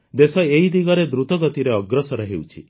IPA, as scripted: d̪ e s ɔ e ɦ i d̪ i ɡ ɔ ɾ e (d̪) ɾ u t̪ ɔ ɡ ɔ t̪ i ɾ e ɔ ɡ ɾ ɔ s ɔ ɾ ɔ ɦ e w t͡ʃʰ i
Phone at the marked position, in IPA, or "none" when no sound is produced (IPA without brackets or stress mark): d̪